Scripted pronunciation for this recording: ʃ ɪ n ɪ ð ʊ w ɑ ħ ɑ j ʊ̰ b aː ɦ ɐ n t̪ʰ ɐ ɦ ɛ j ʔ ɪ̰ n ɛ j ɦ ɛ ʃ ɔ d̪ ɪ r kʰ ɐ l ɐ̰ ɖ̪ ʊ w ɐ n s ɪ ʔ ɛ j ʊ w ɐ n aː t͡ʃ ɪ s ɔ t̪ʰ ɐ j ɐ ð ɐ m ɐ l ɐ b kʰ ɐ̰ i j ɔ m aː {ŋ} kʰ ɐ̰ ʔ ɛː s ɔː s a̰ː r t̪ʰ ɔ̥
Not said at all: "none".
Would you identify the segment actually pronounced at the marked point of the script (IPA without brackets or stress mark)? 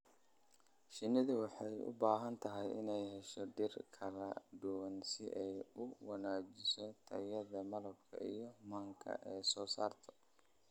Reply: ŋ